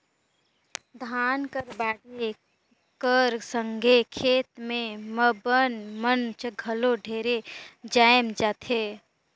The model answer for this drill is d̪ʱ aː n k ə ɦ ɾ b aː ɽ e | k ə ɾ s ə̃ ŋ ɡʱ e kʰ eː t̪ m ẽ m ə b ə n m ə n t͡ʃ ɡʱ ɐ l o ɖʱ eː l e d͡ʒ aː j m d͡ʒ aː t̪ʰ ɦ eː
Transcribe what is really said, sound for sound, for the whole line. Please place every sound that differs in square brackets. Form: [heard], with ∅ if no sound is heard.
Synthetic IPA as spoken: d̪ʱ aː n k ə [∅] ɾ b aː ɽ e | k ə ɾ s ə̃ ŋ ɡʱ e kʰ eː t̪ m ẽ m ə b ə n m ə n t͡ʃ ɡʱ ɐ l o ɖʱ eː [ɾ] e d͡ʒ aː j m d͡ʒ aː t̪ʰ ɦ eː